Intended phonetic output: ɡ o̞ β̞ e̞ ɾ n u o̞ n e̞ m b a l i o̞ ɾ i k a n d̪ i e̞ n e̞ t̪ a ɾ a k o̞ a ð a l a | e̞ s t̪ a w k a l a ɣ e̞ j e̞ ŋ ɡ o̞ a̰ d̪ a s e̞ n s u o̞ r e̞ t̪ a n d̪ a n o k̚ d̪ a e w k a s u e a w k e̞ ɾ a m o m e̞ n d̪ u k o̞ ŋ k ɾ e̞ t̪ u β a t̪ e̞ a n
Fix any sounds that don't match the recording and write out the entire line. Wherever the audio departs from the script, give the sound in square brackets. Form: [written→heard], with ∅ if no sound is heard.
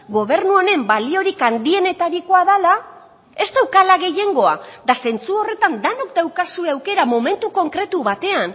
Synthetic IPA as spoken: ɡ o̞ β̞ e̞ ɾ n u o̞ n e̞ m b a l i o̞ ɾ i k a n d̪ i e̞ n e̞ t̪ a ɾ [a→i] k o̞ a ð a l a | e̞ s t̪ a w k a l a ɣ e̞ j e̞ ŋ ɡ o̞ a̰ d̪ a s e̞ n [s→t͡s] u o̞ r e̞ t̪ a n d̪ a n o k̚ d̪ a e w k a s u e a w k e̞ ɾ a m o m e̞ n [d̪→t̪] u k o̞ ŋ k ɾ e̞ t̪ u β a t̪ e̞ a n